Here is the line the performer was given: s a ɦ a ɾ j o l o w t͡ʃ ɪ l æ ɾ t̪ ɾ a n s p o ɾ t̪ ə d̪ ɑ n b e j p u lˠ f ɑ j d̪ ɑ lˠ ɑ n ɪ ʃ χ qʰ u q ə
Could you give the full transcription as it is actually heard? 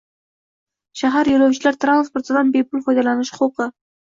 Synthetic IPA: ʃ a ɦ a ɾ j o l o w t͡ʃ ɪ l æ ɾ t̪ ɾ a n s p o ɾ t̪ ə d̪ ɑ n b e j p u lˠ f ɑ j d̪ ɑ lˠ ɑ n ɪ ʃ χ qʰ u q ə